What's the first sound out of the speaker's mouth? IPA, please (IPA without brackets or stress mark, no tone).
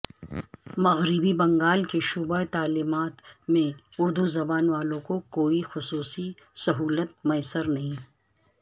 m